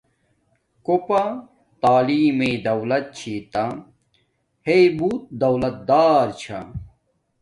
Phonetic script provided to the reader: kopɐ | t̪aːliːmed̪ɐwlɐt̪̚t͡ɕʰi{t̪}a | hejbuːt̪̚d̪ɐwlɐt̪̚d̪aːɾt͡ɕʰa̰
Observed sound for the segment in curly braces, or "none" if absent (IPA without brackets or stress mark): t̪